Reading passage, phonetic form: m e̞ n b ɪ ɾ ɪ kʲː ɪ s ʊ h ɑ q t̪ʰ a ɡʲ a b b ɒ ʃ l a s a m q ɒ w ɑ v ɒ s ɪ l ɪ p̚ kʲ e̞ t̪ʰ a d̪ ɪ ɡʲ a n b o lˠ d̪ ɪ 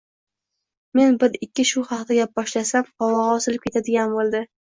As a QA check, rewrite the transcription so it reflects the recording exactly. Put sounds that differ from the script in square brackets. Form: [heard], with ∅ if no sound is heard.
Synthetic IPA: m e̞ n b ɪ ɾ ɪ kʲː ɪ [ʃ] ʊ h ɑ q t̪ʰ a ɡʲ a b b ɒ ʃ l a s a m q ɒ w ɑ [ʁ] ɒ s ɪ l ɪ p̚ kʲ e̞ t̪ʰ a d̪ ɪ ɡʲ a n b o lˠ d̪ ɪ